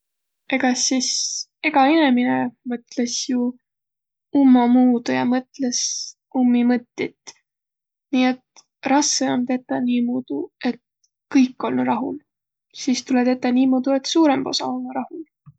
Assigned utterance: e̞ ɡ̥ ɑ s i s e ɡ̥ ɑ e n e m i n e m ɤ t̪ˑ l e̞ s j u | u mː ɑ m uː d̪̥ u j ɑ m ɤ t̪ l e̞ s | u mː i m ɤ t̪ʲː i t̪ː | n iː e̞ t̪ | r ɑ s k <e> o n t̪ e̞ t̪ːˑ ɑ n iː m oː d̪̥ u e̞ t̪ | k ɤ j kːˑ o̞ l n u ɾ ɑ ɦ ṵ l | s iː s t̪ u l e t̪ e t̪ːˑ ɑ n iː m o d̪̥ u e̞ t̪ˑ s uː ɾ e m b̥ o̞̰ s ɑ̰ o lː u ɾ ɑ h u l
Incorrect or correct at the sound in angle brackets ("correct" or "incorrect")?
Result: correct